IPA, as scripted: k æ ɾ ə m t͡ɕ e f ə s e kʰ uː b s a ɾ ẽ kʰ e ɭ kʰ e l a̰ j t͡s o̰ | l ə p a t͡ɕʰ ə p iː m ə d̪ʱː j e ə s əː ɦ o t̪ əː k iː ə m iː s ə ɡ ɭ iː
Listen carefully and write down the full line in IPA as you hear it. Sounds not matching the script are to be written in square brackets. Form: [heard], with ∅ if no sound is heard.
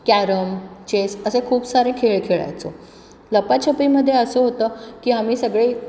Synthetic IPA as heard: k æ ɾ ə m t͡ɕ e [s] ə s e kʰ uː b s a ɾ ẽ kʰ e ɭ kʰ e [ɭ] a̰ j t͡s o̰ | l ə p a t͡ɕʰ ə p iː m ə d̪ʱː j e ə s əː ɦ o t̪ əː k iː [a] m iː s ə ɡ ɭ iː